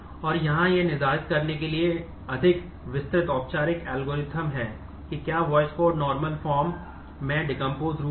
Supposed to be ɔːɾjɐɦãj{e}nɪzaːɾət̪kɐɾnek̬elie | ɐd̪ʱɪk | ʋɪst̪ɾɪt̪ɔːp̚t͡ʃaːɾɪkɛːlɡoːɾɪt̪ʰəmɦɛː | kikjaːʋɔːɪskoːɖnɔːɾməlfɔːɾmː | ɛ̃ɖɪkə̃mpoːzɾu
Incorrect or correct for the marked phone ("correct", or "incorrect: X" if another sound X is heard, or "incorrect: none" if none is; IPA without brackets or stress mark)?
correct